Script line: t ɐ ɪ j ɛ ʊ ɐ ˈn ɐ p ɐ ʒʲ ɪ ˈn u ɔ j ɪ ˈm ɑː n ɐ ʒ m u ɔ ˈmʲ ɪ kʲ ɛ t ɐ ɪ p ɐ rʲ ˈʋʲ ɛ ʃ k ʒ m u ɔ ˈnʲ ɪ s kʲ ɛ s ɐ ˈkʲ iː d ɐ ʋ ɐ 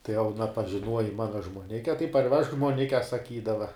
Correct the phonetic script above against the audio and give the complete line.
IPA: t ɐ ɪ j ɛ ʊ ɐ ˈn ɐ p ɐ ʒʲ ɪ ˈn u ɔ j ɪ ˈm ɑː n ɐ ʒ m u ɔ ˈnʲ ɪ kʲ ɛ t ɐ ɪ p ɐ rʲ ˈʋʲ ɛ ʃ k ʒ m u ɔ ˈnʲ ɪ kʲ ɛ s ɐ ˈkʲ iː d ɐ ʋ ɐ